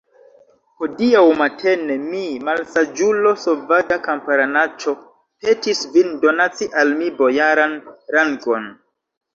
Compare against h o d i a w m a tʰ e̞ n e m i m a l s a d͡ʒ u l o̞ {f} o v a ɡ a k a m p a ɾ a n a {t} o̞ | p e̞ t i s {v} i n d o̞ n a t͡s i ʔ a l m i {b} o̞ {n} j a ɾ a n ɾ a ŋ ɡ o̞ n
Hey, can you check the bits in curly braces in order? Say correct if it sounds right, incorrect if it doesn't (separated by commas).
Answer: incorrect, incorrect, correct, correct, incorrect